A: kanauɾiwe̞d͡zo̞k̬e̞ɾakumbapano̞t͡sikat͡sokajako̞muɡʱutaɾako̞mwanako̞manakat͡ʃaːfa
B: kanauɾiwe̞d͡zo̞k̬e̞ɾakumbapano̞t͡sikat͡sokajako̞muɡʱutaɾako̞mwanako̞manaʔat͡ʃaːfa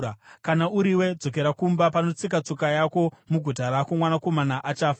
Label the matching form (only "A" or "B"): B